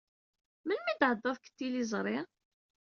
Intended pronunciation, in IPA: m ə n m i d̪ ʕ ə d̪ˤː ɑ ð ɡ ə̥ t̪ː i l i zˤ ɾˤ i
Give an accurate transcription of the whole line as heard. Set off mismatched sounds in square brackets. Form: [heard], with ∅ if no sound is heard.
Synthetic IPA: m ə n m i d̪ ʕ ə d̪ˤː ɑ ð [k] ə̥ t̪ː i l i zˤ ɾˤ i

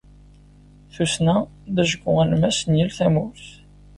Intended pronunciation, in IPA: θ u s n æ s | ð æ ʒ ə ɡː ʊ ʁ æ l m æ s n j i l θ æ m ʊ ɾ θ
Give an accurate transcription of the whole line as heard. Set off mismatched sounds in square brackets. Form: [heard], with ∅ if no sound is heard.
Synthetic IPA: θ u s n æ [∅] | ð æ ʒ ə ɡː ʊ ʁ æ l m æ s n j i l θ æ m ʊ ɾ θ

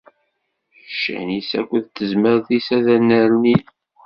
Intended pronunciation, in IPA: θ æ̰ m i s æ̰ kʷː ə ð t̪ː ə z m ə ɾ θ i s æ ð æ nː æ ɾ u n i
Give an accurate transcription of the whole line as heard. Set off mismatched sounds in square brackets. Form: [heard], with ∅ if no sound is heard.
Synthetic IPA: [ʃ] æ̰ [n] i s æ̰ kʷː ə ð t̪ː ə z m ə ɾ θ i s æ ð æ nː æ ɾ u n i

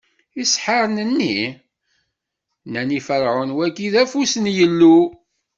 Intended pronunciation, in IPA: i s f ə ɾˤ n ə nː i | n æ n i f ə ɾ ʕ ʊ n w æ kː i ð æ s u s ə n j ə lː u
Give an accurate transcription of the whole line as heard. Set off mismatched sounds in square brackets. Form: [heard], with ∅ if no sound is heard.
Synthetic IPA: i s [ħ] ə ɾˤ n ə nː i | n æ n i f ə ɾ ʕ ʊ n w æ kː i ð æ [f] u s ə n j ə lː u

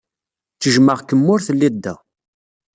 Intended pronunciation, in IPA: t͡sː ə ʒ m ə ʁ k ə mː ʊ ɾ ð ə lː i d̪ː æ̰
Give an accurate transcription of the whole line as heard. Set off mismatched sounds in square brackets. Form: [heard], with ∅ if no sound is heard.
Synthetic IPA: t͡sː ə ʒ m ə ʁ k ə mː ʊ ɾ [θ] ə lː i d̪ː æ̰

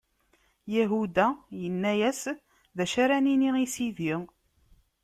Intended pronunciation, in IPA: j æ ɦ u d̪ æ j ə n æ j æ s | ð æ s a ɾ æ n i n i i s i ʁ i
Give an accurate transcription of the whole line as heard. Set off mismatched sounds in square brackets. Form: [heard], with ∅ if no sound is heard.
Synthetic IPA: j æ ɦ u d̪ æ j ə [nː] æ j æ s | ð æ [ʃ] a ɾ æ n i n i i s i [ð] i

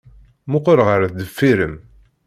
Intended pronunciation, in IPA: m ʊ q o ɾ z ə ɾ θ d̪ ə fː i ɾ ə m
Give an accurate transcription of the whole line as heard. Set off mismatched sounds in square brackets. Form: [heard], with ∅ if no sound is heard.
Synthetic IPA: m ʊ q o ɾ [ʁ] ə ɾ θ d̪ ə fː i ɾ ə m

